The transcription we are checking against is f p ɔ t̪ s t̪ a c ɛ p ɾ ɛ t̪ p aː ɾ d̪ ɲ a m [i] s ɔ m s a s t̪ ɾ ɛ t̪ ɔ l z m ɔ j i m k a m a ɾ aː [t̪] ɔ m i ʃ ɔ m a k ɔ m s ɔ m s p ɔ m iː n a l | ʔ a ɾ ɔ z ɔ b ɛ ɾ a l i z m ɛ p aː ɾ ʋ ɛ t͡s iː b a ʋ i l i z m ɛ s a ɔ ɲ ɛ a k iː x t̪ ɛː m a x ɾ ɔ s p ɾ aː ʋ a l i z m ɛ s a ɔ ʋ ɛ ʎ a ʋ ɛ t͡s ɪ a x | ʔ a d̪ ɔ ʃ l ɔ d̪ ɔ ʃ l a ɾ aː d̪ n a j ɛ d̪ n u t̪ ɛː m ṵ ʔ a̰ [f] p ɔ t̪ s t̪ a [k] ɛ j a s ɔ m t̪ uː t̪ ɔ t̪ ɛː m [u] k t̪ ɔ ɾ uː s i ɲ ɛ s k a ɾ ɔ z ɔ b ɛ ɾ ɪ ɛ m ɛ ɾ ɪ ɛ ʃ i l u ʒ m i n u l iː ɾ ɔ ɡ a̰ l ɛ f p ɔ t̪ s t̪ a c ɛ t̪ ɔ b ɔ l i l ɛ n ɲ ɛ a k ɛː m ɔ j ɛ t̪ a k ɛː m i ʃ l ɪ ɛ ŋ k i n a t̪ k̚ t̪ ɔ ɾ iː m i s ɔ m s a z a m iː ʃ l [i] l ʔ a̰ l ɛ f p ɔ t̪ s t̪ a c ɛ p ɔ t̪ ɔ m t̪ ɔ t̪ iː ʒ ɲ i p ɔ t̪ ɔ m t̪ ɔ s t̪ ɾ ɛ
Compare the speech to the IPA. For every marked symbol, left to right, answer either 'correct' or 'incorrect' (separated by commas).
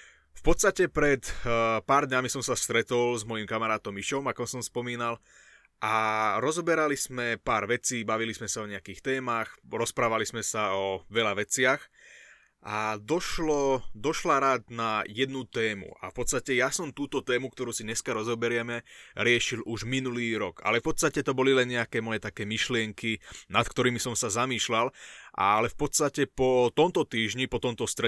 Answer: correct, correct, correct, incorrect, correct, incorrect